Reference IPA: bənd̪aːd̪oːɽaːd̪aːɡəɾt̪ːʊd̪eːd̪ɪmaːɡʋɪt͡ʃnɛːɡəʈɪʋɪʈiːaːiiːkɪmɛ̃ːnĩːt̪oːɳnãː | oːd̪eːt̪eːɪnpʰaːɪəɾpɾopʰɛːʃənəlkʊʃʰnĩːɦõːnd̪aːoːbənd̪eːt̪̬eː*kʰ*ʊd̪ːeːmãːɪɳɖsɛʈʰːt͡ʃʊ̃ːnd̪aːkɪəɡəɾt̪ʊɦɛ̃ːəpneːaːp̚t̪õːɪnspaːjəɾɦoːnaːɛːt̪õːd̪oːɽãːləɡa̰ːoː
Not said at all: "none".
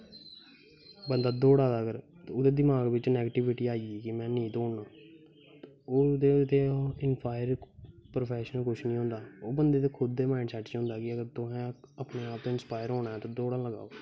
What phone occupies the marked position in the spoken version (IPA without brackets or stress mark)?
kʰ